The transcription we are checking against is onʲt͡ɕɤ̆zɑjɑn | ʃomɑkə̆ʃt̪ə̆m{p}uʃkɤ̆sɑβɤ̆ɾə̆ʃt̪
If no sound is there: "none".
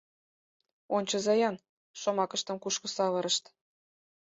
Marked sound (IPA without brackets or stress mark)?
k